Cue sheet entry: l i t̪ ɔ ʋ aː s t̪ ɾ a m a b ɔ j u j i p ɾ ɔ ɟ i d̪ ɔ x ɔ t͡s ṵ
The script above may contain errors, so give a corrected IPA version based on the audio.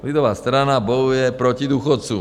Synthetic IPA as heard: l i d̪ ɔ ʋ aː s t̪ ɾ a n a b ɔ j u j ɛ p ɾ ɔ c i d̪ u x ɔ t͡s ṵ

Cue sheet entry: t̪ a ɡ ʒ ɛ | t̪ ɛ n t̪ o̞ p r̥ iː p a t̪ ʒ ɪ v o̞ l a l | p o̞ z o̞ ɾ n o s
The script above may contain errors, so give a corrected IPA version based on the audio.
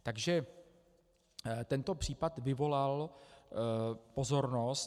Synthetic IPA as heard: t̪ a ɡ ʒ ɛ | t̪ ɛ n t̪ o̞ p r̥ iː p a t̪ v ɪ v o̞ l a l | p o̞ z o̞ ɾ n o s

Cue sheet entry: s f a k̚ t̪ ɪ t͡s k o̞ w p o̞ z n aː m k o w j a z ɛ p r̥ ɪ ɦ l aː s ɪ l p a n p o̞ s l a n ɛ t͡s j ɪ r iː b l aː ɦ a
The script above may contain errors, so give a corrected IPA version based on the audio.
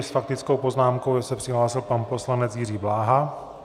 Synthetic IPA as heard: s f a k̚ t̪ ɪ t͡s k o̞ w p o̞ z n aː m k o w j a s ɛ p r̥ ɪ ɦ l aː s ɪ l p a n p o̞ s l a n ɛ t͡s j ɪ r iː b l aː ɦ a

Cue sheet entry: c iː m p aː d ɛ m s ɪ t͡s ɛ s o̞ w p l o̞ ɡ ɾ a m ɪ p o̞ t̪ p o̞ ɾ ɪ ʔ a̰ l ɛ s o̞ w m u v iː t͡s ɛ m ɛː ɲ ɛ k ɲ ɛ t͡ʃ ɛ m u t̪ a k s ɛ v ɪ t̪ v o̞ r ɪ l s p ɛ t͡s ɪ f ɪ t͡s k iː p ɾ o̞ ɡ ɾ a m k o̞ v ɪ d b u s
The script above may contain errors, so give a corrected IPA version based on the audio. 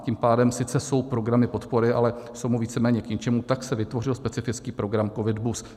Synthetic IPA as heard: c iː m p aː d ɛ m s ɪ t͡s ɛ s o̞ w p ɾ o̞ ɡ ɾ a m ɪ p o̞ t̪ p o̞ ɾ ɪ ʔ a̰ l ɛ s o̞ w m u v iː t͡s ɛ m ɛː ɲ ɛ k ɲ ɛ t͡ʃ ɛ m u t̪ a k s ɛ v ɪ t̪ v o̞ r ɪ l s p ɛ t͡s ɪ f ɪ t͡s k iː p ɾ o̞ ɡ ɾ a m k o̞ v ɪ d b u s

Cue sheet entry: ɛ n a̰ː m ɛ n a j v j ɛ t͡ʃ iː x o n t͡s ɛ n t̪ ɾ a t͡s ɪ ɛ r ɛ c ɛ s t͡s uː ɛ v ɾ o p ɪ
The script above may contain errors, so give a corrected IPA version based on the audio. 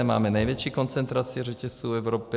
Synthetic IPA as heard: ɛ m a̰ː m ɛ n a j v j ɛ t͡ʃ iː k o n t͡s ɛ n t̪ ɾ a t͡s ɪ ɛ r ɛ c ɛ s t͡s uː ɛ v ɾ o p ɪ

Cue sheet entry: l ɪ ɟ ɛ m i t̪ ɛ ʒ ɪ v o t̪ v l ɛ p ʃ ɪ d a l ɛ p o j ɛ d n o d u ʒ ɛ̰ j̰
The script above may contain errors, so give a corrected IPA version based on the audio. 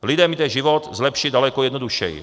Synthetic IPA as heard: l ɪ d ɛ m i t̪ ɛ ʒ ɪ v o t̪ z l ɛ p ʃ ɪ d a l ɛ k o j ɛ d n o d u ʃ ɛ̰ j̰

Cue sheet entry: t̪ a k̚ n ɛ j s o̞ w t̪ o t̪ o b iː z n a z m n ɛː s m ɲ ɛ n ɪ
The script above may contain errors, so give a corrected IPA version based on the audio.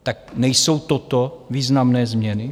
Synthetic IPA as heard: t̪ a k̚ n ɛ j s o̞ w t̪ o t̪ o v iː z n a m n ɛː z m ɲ ɛ n ɪ

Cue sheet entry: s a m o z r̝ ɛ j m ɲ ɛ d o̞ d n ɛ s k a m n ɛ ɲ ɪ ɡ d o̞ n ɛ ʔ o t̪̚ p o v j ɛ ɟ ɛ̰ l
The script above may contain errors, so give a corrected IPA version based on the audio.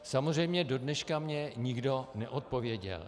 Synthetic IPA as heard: s a m o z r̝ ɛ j m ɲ ɛ d o̞ d n ɛ ʃ k a m ɲ ɛ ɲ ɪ ɡ d o̞ n ɛ ʔ o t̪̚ p o v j ɛ ɟ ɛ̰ l

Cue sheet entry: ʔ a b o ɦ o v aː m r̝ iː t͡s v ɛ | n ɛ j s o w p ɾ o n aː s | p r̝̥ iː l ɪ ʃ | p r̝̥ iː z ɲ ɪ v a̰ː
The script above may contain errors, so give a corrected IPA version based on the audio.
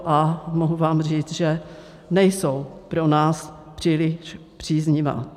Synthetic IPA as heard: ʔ a m o ɦ u v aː m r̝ iː t͡s ʒ ɛ | n ɛ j s o w p ɾ o n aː s | p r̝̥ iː l ɪ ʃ | p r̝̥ iː z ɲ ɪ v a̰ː

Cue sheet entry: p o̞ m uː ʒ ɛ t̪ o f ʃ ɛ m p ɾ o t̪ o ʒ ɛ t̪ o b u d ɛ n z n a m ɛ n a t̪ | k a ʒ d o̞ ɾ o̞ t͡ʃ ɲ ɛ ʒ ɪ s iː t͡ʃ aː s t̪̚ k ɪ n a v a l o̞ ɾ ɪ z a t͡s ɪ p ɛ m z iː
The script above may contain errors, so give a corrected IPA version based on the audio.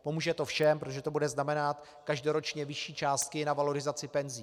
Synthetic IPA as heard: p o̞ m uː ʒ ɛ t̪ o f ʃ ɛ m p ɾ o t̪ o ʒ ɛ t̪ o b u d ɛ z n a m ɛ n a t̪ | k a ʒ d o̞ ɾ o̞ t͡ʃ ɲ ɛ v ɪ ʃ iː t͡ʃ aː s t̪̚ k ɪ n a v a l o̞ ɾ ɪ z a t͡s ɪ p ɛ n z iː

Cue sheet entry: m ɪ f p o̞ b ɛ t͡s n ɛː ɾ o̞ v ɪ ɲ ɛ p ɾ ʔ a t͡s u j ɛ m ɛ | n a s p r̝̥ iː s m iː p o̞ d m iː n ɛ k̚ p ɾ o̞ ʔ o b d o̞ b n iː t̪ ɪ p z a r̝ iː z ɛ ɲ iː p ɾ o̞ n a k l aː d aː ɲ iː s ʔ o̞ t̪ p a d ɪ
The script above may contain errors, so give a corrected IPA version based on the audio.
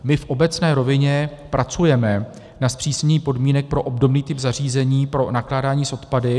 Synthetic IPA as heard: m ɪ f ʔ o̞ b ɛ t͡s n ɛː ɾ o̞ v ɪ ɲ ɛ p ɾ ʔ a t͡s u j ɛ m ɛ | n a s p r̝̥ iː s ɲ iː p o̞ d m iː n ɛ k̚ p ɾ o̞ ʔ o b d o̞ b n iː t̪ ɪ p z a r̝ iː z ɛ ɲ iː p ɾ o̞ n a k l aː d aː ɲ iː s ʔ o̞ t̪ p a d ɪ

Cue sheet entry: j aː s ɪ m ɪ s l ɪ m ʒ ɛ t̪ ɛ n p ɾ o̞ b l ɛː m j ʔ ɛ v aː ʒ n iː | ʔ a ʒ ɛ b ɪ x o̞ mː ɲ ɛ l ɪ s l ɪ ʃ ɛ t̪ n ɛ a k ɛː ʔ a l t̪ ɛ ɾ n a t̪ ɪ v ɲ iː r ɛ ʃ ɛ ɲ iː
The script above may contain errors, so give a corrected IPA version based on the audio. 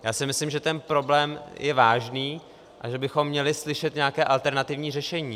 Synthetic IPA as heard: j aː s ɪ m ɪ s l ɪ m ʒ ɛ t̪ ɛ n p ɾ o̞ b l ɛː m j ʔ ɛ v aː ʒ n iː | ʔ a ʒ ɛ b ɪ x o̞ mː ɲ ɛ l ɪ s l ɪ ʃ ɛ t̪ ɲ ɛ a k ɛː ʔ a l t̪ ɛ ɾ n a t̪ ɪ v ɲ iː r ɛ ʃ ɛ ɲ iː

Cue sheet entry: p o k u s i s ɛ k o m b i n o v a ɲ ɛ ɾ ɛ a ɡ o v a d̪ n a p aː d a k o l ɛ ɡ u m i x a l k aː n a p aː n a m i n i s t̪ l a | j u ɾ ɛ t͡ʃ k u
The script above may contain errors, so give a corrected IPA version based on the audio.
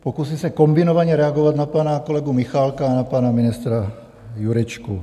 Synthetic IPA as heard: p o k u s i s ɛ k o m b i n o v a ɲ ɛ ɾ ɛ a ɡ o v a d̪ n a p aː n a k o l ɛ ɡ u m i x a l k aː n a p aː n a m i n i s t̪ ɾ a | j u ɾ ɛ t͡ʃ k u

